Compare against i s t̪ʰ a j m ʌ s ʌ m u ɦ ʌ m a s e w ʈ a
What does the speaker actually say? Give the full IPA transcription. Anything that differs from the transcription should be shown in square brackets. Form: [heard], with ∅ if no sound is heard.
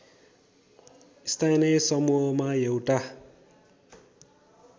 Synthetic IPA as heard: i s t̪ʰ a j [n] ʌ s ʌ m u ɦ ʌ m a [∅] e w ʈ a